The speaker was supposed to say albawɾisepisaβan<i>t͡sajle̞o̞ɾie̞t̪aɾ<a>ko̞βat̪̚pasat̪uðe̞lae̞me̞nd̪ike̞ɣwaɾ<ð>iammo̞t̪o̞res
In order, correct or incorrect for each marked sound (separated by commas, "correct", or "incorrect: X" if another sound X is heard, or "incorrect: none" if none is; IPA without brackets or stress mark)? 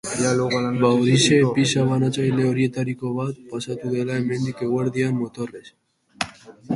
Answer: incorrect: a, incorrect: i, correct